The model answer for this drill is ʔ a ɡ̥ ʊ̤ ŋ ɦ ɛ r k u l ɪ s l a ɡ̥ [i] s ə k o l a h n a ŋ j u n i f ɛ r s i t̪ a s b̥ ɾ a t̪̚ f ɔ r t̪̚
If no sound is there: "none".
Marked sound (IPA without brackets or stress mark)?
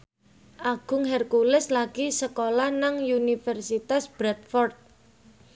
i